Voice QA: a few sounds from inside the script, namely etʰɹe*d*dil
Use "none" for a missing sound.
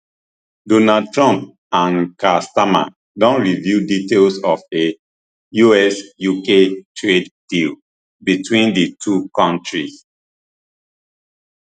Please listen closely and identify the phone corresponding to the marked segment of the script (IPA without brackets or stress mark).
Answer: d